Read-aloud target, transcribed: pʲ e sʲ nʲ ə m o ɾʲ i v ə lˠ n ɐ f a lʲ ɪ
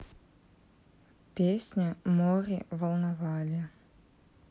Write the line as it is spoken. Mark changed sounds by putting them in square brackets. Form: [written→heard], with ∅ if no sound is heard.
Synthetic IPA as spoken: pʲ e sʲ nʲ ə m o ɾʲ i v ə lˠ n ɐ [f→v] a lʲ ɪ